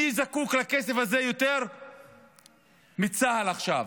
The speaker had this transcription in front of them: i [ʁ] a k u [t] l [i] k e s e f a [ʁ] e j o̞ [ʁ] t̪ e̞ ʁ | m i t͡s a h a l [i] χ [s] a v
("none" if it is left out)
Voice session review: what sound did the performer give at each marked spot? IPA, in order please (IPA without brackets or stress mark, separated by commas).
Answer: z, k, a, z, none, a, ʃ